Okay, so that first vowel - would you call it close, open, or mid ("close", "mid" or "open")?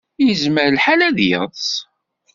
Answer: mid